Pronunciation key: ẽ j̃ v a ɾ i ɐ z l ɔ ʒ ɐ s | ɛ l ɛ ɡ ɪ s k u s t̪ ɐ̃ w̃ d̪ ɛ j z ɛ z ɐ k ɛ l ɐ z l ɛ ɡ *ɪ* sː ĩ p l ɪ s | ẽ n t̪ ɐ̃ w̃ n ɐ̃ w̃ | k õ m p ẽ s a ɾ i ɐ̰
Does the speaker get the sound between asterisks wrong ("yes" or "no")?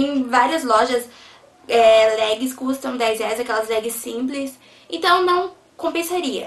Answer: no